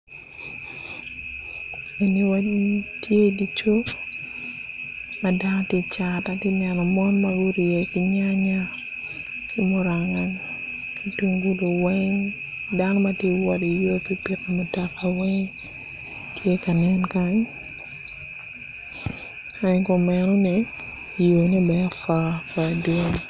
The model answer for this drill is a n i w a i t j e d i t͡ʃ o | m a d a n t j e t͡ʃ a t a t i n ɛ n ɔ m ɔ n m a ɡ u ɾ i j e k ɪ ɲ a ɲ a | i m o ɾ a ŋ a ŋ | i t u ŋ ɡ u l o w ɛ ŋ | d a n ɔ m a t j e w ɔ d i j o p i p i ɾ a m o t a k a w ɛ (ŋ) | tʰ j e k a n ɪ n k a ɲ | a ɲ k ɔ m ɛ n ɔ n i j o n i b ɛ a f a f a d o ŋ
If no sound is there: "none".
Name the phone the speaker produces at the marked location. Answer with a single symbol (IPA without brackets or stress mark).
ŋ